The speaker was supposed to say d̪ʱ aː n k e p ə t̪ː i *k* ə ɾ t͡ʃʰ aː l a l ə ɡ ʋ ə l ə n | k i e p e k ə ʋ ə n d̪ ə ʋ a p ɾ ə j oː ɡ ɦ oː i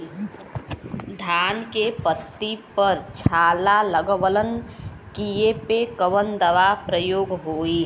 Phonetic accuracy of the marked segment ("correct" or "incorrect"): incorrect